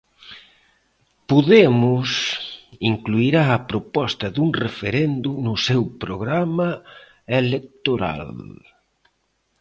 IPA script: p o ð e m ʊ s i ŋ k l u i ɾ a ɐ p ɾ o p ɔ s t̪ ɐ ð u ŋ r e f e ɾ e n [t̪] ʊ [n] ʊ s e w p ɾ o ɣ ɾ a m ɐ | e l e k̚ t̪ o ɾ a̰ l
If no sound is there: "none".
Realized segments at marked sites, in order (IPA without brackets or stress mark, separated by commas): d̪, n